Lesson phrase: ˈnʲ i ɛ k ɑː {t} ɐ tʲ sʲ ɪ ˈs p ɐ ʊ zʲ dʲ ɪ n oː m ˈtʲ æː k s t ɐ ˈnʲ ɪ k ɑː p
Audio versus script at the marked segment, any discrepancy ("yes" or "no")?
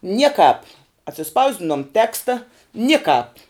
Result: yes